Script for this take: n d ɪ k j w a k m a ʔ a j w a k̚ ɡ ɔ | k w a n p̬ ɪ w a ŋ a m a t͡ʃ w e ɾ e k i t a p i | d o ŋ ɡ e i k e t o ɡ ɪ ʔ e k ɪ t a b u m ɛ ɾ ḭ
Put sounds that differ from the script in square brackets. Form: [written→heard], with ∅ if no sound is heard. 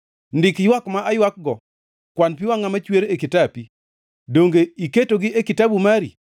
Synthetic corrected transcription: n d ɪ k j w a k m a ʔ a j w a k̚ ɡ ɔ | k w a n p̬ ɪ w a ŋ a m a t͡ʃ w e ɾ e k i t a p i | d o ŋ ɡ e i k e t o ɡ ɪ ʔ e k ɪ t a b u m [ɛ→a] ɾ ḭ